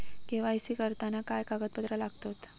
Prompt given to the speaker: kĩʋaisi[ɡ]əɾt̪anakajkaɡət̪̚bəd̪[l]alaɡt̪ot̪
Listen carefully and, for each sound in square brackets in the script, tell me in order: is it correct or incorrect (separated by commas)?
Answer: incorrect, incorrect